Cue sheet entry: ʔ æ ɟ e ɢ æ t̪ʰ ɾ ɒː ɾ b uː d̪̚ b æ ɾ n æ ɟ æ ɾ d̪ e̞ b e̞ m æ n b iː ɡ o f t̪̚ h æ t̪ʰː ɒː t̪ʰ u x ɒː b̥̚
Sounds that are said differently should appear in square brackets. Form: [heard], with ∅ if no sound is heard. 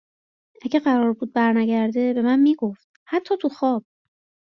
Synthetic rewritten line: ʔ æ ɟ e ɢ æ [∅] ɾ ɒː ɾ b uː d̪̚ b æ ɾ n æ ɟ æ ɾ d̪ e̞ b e̞ m æ n [m] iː ɡ o f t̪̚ h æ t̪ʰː ɒː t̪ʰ u x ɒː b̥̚

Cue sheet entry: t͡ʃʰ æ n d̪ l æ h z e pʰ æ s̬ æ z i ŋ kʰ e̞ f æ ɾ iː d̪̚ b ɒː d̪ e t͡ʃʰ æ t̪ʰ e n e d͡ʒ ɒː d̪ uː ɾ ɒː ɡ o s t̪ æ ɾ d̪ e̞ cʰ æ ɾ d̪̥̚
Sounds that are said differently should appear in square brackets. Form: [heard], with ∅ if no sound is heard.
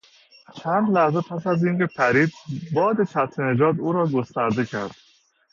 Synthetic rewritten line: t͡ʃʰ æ n d̪ l æ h z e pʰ æ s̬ æ z i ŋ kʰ e̞ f æ ɾ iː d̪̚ b ɒː d̪ e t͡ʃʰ æ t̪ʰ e n e d͡ʒ ɒː d̪ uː ɾ ɒː ɡ o s t̪ æ ɾ d̪ e̞ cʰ æ ɾ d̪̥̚

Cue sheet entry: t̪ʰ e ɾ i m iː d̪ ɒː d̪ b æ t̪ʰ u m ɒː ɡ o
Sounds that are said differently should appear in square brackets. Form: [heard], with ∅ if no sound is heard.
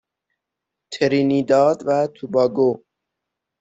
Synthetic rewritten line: t̪ʰ e ɾ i [n] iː d̪ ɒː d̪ [v] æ t̪ʰ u [b] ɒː ɡ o

